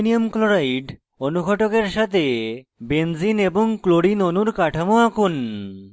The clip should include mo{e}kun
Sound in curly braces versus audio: incorrect: a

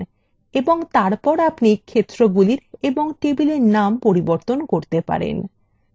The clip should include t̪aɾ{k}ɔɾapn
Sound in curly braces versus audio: incorrect: p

